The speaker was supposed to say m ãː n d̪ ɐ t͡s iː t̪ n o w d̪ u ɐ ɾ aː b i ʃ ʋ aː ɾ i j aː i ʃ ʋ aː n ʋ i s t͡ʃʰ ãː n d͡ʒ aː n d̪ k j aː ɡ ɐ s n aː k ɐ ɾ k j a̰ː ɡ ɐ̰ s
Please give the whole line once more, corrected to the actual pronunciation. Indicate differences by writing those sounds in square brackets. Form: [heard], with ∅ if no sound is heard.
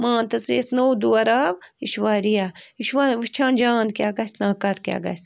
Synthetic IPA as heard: m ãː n [t̪] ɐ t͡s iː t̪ n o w d̪ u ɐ ɾ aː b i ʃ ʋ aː ɾ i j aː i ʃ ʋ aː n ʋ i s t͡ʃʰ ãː n d͡ʒ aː n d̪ k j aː ɡ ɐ s n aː k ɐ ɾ k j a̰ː ɡ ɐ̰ s